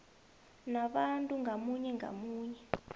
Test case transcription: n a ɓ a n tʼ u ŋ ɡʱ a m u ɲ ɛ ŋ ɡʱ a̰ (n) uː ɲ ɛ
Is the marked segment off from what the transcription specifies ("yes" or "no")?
yes